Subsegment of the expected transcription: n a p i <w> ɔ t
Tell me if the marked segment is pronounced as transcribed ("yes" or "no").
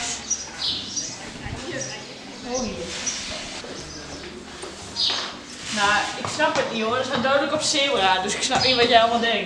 no